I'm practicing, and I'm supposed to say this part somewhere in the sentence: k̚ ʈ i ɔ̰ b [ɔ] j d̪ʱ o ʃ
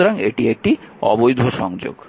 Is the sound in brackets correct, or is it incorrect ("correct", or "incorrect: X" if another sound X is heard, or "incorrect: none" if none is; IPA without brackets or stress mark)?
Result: incorrect: o